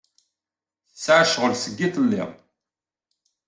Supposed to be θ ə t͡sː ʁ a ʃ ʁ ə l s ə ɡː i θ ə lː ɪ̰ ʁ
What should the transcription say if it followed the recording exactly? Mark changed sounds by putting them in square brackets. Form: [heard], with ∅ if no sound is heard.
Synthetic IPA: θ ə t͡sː [ʕ] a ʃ ʁ ə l s ə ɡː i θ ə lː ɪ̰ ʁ